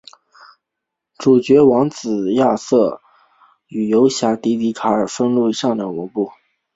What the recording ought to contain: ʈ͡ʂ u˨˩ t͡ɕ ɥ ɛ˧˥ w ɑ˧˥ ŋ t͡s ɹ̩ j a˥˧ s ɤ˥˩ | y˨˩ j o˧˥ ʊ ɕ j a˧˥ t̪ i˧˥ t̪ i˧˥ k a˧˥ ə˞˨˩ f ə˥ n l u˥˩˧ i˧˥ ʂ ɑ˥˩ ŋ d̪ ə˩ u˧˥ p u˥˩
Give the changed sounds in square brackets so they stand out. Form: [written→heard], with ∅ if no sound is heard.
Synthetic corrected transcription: ʈ͡ʂ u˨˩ t͡ɕ ɥ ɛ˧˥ w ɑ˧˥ ŋ t͡s ɹ̩ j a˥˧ s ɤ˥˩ | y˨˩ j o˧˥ ʊ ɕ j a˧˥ t̪ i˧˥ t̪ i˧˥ [k→kʰ] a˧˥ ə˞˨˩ f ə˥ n l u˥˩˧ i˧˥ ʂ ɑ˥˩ ŋ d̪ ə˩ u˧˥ p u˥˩

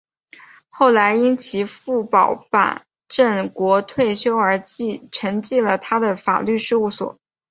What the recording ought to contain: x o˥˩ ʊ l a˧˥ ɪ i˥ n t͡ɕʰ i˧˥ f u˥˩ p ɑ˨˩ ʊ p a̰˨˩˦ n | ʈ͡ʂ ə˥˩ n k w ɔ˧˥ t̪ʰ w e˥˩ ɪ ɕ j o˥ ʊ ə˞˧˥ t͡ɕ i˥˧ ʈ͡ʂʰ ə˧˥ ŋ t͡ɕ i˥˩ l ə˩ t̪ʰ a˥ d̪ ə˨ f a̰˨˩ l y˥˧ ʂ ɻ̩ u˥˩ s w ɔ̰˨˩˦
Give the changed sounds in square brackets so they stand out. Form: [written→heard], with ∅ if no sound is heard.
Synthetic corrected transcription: x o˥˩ ʊ l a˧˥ ɪ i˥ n t͡ɕʰ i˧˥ f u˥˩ p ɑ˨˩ ʊ p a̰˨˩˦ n | ʈ͡ʂ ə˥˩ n k w ɔ˧˥ t̪ʰ w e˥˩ ɪ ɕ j o˥ ʊ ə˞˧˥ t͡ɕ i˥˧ ʈ͡ʂʰ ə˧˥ ŋ t͡ɕ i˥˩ l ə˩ t̪ʰ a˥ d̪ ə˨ f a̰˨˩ l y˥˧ ʂ ɻ̩ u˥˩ s w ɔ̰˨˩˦

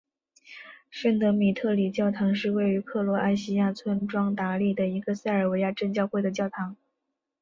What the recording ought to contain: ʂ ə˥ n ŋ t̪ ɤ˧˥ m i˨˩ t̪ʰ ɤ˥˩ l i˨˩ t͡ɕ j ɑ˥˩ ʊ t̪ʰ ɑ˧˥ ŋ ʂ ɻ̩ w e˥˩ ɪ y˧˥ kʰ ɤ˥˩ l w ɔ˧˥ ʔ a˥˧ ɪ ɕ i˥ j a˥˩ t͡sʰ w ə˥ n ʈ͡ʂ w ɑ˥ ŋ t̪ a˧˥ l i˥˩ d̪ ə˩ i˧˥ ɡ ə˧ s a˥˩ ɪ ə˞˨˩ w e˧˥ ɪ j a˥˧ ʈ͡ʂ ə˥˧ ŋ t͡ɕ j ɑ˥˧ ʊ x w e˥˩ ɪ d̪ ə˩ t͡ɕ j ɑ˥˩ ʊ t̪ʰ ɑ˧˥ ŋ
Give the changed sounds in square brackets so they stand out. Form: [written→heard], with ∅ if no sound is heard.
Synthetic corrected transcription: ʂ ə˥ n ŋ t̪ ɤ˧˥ m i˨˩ t̪ʰ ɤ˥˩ l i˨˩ t͡ɕ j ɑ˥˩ ʊ t̪ʰ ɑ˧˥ ŋ ʂ ɻ̩ w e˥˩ ɪ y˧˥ kʰ ɤ˥˩ l w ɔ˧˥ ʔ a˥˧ ɪ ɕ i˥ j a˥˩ t͡sʰ w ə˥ n ʈ͡ʂ w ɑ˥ ŋ t̪ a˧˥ l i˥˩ d̪ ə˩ i˧˥ ɡ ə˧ s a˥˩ ɪ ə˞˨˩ w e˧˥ ɪ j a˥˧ ʈ͡ʂ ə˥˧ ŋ t͡ɕ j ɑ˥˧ ʊ x w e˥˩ ɪ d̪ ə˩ t͡ɕ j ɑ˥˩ ʊ t̪ʰ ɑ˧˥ ŋ

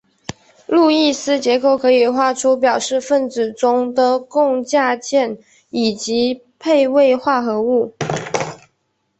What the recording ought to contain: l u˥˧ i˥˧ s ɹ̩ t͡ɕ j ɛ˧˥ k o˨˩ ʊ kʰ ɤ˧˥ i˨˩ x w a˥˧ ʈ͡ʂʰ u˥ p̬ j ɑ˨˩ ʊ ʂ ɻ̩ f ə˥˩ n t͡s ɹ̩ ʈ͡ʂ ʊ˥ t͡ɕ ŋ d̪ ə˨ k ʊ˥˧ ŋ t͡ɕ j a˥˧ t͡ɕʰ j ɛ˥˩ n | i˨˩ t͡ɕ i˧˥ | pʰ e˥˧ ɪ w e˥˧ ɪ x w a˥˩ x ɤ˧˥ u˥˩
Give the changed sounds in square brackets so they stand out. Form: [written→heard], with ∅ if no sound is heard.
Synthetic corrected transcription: l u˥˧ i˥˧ s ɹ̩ t͡ɕ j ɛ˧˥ k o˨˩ ʊ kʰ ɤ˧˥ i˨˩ x w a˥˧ ʈ͡ʂʰ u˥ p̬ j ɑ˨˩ ʊ ʂ ɻ̩ f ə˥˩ n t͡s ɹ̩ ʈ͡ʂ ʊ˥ [t͡ɕ→∅] ŋ d̪ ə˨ k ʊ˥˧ ŋ t͡ɕ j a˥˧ [t͡ɕʰ→t͡ɕ] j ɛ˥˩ n | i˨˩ t͡ɕ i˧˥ | pʰ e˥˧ ɪ w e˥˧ ɪ x w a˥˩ x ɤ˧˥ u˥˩

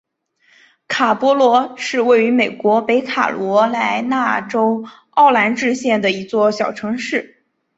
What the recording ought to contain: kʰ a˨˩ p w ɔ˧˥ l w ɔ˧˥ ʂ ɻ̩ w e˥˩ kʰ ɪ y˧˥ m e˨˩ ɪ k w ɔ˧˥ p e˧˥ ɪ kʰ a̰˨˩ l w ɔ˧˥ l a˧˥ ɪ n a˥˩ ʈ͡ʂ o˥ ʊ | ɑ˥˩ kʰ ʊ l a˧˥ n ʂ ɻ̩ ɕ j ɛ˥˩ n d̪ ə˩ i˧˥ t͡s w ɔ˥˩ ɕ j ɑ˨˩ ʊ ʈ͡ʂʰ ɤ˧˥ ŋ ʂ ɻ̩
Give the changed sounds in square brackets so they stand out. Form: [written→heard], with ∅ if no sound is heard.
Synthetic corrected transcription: kʰ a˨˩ p w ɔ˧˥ l w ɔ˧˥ ʂ ɻ̩ w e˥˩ [kʰ→∅] ɪ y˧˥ m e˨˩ ɪ k w ɔ˧˥ p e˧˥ ɪ kʰ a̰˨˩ l w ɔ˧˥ l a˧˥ ɪ n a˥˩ ʈ͡ʂ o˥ ʊ | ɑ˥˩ [kʰ→∅] ʊ l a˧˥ n [ʂ→ʈ͡ʂ] ɻ̩ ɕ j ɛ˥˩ n d̪ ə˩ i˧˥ t͡s w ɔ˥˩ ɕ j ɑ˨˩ ʊ ʈ͡ʂʰ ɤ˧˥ ŋ ʂ ɻ̩

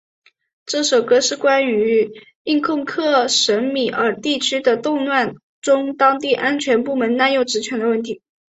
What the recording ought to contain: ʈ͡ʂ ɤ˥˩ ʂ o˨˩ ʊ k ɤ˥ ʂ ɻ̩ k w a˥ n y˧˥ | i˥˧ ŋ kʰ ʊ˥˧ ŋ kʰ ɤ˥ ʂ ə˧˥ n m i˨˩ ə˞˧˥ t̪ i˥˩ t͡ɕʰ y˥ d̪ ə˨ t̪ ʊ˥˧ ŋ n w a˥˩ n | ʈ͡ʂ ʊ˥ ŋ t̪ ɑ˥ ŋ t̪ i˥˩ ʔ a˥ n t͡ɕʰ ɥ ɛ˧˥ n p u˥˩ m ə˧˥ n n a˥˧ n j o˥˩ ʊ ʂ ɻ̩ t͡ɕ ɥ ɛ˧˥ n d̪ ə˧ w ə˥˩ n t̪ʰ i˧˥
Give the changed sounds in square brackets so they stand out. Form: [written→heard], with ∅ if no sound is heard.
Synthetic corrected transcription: ʈ͡ʂ ɤ˥˩ ʂ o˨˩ ʊ k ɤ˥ ʂ ɻ̩ k w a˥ n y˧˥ | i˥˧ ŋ kʰ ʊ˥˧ ŋ kʰ [ɤ˥→ɤ˥˩] ʂ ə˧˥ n m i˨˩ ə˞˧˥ t̪ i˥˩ t͡ɕʰ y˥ d̪ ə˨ t̪ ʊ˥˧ ŋ n w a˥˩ n | ʈ͡ʂ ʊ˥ ŋ t̪ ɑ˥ ŋ t̪ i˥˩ ʔ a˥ n t͡ɕʰ ɥ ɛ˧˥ n p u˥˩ m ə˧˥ n n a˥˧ n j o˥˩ ʊ [ʂ→ʈ͡ʂ] ɻ̩ [t͡ɕ→t͡ɕʰ] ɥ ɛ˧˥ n d̪ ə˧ w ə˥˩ n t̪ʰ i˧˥

